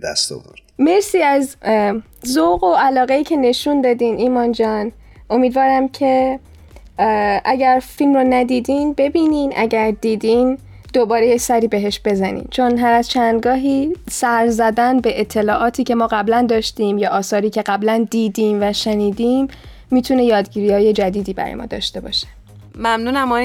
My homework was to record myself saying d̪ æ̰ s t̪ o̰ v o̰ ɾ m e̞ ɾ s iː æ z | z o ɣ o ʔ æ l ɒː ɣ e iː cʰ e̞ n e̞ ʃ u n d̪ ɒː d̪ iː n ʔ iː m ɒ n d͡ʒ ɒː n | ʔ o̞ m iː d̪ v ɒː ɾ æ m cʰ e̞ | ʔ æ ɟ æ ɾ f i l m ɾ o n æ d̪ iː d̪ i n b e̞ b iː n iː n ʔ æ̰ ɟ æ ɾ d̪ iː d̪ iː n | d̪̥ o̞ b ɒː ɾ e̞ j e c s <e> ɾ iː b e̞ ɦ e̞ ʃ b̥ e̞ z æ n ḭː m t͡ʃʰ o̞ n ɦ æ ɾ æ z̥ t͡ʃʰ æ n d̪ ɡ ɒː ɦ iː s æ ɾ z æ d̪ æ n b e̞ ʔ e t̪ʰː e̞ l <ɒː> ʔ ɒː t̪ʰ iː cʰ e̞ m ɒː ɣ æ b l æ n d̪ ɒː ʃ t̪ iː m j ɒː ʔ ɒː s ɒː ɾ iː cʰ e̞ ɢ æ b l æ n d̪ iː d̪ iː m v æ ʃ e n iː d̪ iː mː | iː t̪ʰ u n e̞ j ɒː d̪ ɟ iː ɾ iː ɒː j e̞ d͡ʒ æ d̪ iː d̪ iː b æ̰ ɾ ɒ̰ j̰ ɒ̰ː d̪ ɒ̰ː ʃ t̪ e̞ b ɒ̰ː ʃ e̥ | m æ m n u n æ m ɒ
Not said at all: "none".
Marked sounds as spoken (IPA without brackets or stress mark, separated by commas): æ, ɒː